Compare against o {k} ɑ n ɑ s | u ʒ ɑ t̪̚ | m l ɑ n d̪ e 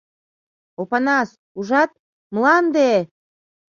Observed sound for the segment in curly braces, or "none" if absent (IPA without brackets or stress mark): p